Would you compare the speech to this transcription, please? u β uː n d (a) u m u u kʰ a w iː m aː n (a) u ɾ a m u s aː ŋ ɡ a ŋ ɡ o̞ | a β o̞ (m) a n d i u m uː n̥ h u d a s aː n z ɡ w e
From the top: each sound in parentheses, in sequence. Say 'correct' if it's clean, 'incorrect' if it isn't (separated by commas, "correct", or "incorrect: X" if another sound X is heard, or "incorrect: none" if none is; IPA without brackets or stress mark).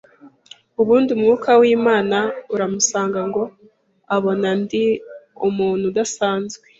incorrect: i, correct, incorrect: n